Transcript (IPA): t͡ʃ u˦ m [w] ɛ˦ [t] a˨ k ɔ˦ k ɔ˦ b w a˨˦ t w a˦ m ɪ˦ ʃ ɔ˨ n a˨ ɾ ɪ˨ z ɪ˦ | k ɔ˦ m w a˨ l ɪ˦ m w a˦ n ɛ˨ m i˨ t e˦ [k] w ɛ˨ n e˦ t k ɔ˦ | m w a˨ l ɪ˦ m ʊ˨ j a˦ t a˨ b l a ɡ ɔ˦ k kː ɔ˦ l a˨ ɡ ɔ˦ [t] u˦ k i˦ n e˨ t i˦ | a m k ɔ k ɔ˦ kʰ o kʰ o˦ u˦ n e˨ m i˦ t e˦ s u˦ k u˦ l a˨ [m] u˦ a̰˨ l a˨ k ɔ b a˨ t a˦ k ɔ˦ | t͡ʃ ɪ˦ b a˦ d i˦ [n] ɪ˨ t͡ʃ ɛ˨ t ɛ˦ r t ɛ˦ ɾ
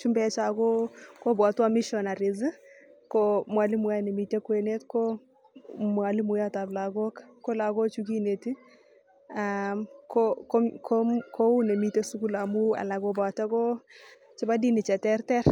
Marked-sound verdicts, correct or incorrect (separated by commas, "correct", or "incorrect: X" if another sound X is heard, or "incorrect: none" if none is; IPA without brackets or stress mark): incorrect: b, incorrect: t͡ʃ, correct, incorrect: t͡ʃ, correct, correct